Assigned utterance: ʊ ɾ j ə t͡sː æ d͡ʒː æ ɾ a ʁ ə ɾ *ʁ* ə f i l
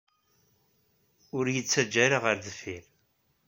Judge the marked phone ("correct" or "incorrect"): incorrect